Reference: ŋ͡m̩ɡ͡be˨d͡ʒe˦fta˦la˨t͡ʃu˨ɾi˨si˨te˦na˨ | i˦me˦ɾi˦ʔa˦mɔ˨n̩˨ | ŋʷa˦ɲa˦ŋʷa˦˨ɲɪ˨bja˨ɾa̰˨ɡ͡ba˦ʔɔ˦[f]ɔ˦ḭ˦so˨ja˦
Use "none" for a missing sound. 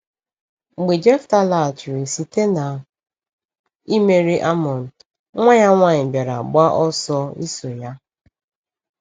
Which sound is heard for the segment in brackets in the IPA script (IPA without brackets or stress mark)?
s